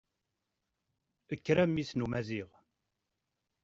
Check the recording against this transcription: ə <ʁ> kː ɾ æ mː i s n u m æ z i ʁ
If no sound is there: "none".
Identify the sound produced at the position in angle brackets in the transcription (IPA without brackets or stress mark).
none